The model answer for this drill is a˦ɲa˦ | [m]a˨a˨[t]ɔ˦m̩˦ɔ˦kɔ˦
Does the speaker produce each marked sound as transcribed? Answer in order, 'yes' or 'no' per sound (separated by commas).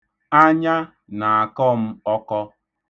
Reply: no, no